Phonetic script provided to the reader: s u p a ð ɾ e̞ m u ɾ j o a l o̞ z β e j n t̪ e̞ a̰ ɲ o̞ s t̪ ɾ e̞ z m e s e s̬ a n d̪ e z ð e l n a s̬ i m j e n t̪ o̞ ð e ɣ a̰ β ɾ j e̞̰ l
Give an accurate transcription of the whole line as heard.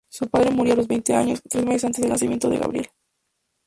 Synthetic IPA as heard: s u p a ð ɾ e̞ m u ɾ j o a l o̞ z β e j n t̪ e̞ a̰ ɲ o̞ s t̪ ɾ e̞ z m e s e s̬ a n t̪ e z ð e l n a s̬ i m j e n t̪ o̞ ð e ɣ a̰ β ɾ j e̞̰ l